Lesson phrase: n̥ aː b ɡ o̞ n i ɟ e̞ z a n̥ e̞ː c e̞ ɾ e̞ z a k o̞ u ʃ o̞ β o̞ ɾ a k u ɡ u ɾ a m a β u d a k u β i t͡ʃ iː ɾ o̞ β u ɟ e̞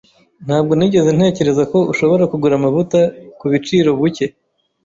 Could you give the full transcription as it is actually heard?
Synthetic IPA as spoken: n̥ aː b ɡ o̞ n i ɟ e̞ z e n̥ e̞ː c e̞ ɾ e̞ z a k o̞ u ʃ o̞ β o̞ ɾ a k u ɡ u ɾ a m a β u t a k u β i t͡ʃ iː ɾ o̞ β u c e̞